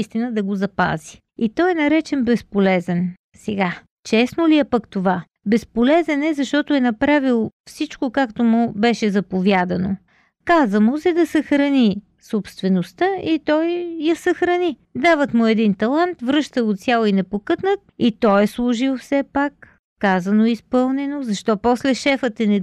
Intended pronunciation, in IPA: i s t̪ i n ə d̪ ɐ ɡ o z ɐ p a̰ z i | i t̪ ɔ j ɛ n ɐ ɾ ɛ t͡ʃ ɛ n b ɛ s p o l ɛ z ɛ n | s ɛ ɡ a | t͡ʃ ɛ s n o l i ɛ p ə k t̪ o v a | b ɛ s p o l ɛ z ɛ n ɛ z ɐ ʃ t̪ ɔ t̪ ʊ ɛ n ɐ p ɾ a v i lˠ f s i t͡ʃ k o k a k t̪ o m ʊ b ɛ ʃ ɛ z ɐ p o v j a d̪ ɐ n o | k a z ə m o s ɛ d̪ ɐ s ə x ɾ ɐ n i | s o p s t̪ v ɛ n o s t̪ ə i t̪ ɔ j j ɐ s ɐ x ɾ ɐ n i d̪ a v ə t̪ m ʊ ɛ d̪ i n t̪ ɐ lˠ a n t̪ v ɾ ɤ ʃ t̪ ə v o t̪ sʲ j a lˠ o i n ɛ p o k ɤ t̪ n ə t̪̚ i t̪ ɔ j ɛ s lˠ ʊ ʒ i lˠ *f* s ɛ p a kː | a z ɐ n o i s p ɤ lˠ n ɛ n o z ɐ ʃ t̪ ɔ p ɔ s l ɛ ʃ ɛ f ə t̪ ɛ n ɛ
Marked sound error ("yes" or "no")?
no